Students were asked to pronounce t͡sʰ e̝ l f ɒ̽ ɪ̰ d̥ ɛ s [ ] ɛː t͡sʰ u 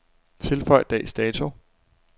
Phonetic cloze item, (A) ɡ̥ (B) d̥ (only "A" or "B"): B